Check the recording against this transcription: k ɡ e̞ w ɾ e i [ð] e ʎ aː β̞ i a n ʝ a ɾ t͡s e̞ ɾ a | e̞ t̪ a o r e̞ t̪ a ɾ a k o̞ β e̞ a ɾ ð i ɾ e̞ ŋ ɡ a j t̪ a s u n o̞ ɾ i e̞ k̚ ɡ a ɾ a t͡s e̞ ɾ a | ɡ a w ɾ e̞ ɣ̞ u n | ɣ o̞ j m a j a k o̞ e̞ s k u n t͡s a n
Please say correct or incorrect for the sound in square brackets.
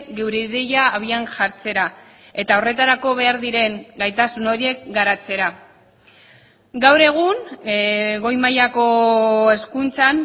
correct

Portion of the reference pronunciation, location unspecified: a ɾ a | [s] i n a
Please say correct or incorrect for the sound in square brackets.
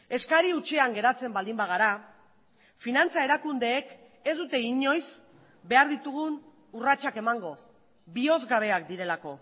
incorrect: f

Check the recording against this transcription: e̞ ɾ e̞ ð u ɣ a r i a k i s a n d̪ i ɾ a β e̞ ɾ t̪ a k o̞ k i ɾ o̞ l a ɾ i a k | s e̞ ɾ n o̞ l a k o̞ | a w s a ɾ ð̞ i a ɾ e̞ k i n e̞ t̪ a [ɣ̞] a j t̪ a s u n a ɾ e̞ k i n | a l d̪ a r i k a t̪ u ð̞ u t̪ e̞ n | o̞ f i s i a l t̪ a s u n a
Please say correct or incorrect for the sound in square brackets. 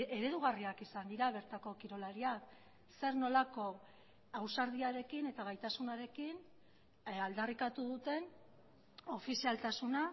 correct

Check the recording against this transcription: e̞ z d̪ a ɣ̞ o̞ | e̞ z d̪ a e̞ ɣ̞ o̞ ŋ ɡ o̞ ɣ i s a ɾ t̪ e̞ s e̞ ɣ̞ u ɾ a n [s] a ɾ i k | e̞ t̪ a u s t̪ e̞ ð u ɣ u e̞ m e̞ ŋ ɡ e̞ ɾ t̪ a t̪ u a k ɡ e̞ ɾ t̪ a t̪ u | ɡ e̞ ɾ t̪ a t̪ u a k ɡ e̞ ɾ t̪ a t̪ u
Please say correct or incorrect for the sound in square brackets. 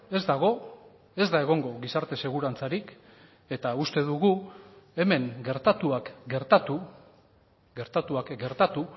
incorrect: t͡s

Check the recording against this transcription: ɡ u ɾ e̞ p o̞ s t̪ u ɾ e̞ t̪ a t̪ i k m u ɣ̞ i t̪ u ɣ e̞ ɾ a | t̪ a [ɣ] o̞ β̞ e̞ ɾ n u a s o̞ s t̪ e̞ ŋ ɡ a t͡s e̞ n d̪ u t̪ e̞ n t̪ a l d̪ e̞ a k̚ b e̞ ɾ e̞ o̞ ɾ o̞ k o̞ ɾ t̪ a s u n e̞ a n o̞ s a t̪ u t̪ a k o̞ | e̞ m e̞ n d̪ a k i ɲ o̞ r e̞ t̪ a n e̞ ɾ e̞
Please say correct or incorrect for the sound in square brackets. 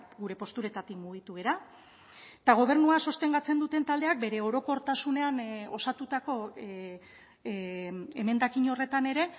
correct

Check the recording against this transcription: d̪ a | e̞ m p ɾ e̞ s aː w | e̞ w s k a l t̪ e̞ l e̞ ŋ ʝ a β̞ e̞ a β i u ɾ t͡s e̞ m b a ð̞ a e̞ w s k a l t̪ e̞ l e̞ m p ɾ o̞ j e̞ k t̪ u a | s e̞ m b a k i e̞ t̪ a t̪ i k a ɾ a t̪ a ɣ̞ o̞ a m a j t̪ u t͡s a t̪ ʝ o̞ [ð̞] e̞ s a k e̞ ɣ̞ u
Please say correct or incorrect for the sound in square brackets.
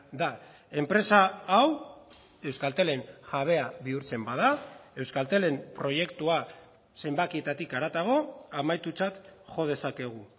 correct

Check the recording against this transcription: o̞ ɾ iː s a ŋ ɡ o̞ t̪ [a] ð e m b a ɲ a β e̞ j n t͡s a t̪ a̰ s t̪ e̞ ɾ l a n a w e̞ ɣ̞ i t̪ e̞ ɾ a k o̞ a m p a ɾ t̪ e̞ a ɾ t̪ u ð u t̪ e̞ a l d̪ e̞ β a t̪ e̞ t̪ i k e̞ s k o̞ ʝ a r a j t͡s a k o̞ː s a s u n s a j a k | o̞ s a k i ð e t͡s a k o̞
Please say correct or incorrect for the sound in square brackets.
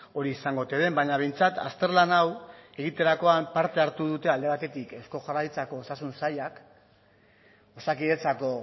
incorrect: e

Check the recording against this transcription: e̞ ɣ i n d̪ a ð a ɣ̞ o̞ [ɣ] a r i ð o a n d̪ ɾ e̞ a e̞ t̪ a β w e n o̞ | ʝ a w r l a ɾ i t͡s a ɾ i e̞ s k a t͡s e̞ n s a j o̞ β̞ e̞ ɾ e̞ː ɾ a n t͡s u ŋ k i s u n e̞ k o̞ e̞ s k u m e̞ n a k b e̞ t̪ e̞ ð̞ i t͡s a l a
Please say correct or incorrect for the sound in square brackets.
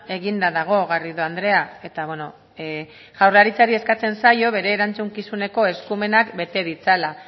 correct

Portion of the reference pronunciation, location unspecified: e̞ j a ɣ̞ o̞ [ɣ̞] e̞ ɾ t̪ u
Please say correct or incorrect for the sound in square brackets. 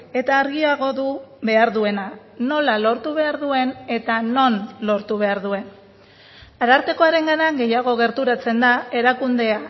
correct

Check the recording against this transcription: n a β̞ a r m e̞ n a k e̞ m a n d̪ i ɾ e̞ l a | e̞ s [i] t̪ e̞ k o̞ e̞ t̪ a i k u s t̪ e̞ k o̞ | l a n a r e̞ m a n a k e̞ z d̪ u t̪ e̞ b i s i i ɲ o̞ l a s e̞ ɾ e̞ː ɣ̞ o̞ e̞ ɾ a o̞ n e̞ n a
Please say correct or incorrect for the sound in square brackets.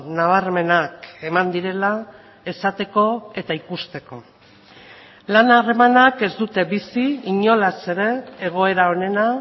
incorrect: a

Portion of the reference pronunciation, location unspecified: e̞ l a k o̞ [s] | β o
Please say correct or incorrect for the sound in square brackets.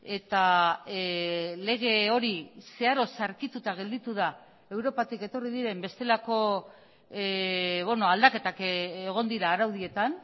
incorrect: none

